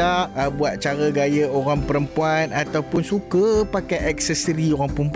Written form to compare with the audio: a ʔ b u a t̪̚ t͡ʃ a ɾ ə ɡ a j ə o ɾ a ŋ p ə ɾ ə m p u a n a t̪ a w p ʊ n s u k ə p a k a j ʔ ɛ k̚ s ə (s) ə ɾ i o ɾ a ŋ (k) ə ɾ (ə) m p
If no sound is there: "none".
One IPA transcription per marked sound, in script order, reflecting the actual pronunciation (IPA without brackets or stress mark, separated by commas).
s, p, ə